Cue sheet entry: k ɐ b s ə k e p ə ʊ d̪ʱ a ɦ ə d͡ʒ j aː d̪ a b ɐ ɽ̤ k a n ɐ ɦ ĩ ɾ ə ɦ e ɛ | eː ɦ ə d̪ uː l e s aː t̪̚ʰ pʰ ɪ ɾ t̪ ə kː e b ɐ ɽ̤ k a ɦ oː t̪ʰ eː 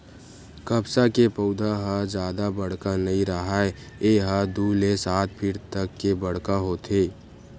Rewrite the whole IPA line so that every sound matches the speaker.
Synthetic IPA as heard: k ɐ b s a k e p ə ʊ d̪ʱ a ɦ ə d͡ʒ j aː d̪ a b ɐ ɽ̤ k a n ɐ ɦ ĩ ɾ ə ɦ a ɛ | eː ɦ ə d̪ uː l e s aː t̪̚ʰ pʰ ɪ ɾ t̪ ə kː e b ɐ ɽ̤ k a ɦ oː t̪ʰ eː